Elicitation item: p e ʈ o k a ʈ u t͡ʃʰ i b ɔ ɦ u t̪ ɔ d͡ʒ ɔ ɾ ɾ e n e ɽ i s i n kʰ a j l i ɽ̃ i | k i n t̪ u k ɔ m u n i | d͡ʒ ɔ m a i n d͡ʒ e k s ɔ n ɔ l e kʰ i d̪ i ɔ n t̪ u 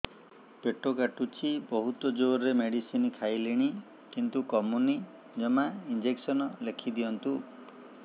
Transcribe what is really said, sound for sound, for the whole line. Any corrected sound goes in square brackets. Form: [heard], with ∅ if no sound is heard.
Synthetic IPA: p e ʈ o k a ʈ u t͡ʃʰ i b ɔ ɦ u t̪ ɔ d͡ʒ [o] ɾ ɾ e [m] e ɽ i s i n kʰ a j l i ɽ̃ i | k i n t̪ u k ɔ m u n i | d͡ʒ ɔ m a i n d͡ʒ e k s ɔ n ɔ l e kʰ i d̪ i ɔ n t̪ u